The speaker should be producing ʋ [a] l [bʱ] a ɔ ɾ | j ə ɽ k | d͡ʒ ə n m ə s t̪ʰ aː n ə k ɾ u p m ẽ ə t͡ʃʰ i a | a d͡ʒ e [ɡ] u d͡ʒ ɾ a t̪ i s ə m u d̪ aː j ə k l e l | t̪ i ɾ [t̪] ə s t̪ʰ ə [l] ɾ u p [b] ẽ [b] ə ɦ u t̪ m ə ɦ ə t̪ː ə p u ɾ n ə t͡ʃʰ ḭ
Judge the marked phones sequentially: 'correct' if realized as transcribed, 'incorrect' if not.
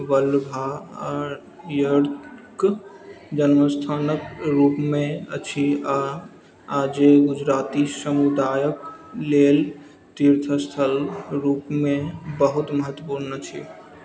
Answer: incorrect: ə, correct, correct, incorrect: t̪ʰ, correct, incorrect: m, correct

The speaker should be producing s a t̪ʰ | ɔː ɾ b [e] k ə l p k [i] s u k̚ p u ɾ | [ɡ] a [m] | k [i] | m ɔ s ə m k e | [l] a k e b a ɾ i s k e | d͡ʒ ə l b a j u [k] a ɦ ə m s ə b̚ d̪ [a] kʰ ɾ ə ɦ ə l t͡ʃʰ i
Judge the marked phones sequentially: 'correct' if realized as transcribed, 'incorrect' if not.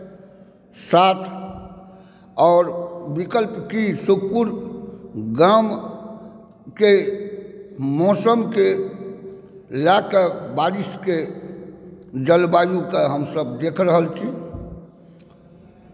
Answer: incorrect: i, correct, correct, correct, incorrect: e, correct, correct, incorrect: e

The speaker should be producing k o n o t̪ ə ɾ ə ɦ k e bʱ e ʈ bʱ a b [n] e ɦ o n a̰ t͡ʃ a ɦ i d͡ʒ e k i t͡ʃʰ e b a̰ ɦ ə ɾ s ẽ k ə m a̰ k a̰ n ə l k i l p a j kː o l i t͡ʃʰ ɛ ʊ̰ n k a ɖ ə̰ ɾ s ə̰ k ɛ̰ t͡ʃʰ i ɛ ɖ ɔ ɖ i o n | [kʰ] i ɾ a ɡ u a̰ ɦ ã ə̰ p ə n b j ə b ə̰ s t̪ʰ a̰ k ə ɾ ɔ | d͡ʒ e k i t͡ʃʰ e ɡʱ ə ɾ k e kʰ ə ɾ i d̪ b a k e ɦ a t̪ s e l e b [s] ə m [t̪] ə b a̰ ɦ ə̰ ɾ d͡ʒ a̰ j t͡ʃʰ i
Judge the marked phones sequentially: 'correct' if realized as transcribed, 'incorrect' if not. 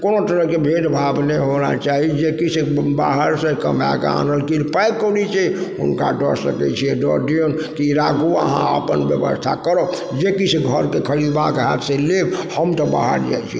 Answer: correct, incorrect: k, incorrect: h, correct

